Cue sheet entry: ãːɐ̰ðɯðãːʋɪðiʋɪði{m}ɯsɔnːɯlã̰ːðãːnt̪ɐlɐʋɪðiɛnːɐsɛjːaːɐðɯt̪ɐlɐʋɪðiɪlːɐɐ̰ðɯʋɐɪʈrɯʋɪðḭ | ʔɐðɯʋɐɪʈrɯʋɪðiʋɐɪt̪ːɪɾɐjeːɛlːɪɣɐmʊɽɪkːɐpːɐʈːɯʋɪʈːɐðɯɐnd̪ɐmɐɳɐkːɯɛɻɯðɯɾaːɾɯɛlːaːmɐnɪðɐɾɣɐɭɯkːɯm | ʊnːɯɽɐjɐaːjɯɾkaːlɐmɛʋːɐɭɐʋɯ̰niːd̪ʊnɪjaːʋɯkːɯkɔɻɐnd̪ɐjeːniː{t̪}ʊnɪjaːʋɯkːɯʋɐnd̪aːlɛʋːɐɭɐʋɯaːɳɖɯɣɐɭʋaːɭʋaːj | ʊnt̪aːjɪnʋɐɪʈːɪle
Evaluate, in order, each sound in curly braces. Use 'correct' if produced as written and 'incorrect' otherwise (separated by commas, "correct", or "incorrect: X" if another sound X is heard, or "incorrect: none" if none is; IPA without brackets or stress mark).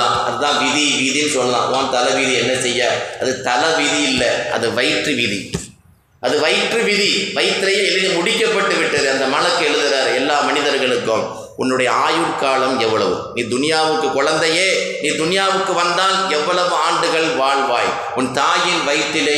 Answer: incorrect: n, incorrect: d̪